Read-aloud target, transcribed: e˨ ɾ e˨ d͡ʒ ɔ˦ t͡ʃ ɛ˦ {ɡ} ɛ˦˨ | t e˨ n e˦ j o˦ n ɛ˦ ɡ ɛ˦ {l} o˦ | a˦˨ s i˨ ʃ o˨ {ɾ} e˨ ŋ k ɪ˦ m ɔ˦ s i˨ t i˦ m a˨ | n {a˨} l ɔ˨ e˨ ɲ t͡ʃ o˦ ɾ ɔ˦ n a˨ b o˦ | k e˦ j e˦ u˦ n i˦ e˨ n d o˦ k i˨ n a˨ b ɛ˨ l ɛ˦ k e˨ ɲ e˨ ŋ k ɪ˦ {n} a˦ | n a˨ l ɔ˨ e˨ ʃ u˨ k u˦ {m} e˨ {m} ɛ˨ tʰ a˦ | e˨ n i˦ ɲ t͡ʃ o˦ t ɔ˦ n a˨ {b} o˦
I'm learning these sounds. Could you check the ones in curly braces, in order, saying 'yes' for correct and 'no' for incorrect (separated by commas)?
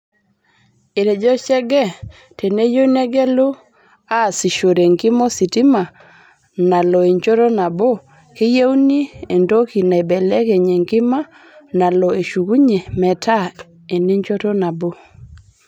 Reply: yes, yes, yes, yes, no, no, yes, yes